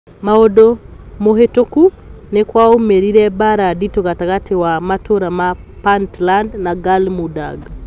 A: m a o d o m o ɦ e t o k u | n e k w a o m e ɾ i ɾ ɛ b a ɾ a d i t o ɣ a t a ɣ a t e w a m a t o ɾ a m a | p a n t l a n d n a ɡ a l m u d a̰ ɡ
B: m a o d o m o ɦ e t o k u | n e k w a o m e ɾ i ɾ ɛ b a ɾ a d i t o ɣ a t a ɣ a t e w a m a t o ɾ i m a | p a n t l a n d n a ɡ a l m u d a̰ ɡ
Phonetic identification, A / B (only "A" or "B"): A